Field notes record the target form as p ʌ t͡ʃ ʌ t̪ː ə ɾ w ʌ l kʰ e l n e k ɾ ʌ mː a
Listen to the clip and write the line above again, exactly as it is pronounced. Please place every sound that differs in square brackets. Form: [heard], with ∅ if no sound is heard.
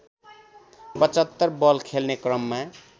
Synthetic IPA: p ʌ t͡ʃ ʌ t̪ː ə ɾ [b] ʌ l kʰ e l n e k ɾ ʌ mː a